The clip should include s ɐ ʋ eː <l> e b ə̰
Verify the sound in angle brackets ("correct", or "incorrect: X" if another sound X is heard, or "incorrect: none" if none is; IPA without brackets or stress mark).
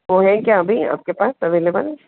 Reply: correct